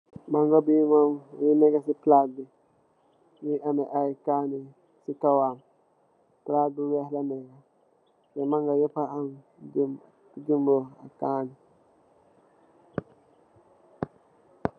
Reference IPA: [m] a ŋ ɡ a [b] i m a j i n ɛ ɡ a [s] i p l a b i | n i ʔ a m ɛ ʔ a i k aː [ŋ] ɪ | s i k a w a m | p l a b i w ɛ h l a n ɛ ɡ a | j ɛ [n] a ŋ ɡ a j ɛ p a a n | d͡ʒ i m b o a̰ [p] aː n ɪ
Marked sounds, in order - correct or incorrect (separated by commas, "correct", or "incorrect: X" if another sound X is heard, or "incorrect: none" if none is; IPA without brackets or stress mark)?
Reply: correct, correct, correct, incorrect: n, incorrect: m, incorrect: k